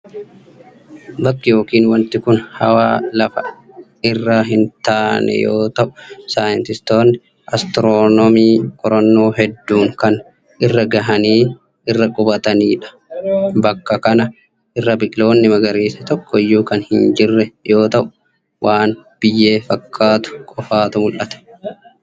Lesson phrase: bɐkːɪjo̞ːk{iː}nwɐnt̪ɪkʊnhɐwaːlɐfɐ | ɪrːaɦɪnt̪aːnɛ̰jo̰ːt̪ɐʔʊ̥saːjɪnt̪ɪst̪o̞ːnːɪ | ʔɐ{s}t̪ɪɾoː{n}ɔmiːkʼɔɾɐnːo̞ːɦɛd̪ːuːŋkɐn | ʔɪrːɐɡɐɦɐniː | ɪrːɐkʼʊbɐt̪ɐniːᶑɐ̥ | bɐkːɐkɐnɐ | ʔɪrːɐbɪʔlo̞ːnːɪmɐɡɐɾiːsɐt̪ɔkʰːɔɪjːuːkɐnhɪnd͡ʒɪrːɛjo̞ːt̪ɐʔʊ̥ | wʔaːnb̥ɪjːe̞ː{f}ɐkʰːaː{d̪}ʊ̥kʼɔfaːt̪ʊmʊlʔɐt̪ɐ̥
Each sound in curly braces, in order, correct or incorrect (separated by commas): correct, correct, correct, correct, incorrect